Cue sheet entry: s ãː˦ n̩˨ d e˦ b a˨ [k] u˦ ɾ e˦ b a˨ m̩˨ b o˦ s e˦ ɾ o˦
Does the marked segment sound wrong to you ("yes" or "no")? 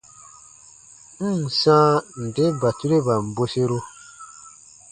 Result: yes